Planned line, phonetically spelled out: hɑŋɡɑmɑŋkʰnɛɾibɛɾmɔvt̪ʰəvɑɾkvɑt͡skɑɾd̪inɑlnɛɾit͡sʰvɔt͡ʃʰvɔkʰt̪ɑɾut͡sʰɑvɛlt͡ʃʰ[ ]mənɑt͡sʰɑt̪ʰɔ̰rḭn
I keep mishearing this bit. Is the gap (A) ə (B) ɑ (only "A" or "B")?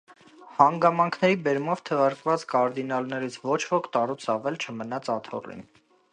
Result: A